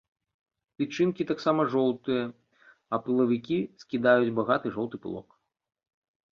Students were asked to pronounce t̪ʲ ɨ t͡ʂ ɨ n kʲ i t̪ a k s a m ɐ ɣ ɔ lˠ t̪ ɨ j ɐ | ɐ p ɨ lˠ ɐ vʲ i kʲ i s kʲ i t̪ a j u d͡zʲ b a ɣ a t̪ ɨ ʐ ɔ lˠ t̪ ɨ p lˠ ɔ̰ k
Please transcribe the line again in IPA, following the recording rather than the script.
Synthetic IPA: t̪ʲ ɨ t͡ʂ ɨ n kʲ i t̪ a k s a m ɐ ʐ ɔ lˠ t̪ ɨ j ɐ | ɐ p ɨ lˠ ɐ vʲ i kʲ i s kʲ i d̪ a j u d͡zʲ b a ɣ a t̪ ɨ ʐ ɔ lˠ t̪ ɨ p lˠ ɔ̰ k

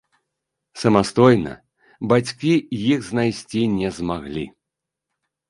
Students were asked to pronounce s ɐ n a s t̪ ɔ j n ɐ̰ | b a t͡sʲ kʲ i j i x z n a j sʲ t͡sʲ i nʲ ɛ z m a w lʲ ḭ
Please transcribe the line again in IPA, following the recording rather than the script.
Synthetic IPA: s ɐ m a s t̪ ɔ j n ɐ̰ | b a t͡sʲ kʲ i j i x z n a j sʲ t͡sʲ i nʲ ɛ z m a ɣ lʲ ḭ

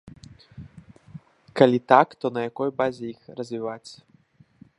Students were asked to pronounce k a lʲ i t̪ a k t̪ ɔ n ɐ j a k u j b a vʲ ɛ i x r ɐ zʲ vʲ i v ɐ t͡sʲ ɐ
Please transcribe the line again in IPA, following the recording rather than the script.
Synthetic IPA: k a lʲ i t̪ a k t̪ ɔ n ɐ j a k ɔ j b a zʲ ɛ i x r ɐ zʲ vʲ i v a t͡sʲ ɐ

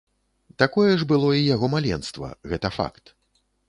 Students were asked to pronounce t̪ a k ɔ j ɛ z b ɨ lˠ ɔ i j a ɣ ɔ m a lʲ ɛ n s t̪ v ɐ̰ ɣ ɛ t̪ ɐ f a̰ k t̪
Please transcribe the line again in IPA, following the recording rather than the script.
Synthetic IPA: t̪ a k ɔ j ɛ ʐ b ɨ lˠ ɔ i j a ɣ ɔ m a lʲ ɛ n s t̪ v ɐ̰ ɣ ɛ t̪ ɐ f a̰ k t̪

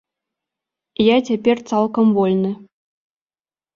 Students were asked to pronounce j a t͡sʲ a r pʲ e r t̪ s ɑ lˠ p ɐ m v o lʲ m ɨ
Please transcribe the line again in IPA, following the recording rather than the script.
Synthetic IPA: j a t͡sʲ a pʲ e r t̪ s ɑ lˠ k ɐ m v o lʲ n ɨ

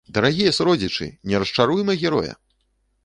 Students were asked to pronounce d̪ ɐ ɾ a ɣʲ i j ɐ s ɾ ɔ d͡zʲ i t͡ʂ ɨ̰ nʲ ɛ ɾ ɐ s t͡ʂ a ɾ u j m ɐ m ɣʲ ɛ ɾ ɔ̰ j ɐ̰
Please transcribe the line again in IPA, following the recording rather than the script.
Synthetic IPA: d̪ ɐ ɾ a ɣʲ i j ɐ s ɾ ɔ d͡zʲ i t͡ʂ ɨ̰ nʲ ɛ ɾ ɐ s t͡ʂ a ɾ u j m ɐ ɣʲ ɛ ɾ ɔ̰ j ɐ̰

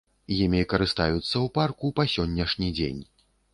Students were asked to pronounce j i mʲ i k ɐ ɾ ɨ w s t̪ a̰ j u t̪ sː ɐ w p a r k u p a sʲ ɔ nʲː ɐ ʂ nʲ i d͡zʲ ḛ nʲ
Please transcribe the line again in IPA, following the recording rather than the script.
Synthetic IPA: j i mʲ i k ɐ ɾ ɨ s t̪ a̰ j u t̪ sː ɐ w p a r k u p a sʲ ɔ nʲː ɐ ʂ nʲ i d͡zʲ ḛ nʲ

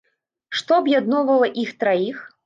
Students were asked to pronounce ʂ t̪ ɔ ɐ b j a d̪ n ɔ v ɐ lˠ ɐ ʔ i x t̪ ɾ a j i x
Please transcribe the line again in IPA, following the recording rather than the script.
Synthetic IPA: ʂ t̪ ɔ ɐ b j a d̪ n ɔ v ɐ lˠ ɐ ʔ i x t̪ ɾ a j i x

